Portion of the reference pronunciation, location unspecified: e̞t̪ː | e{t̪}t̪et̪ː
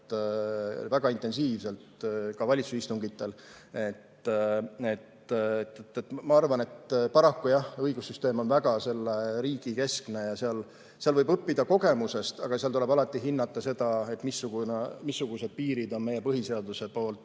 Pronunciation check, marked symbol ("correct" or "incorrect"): correct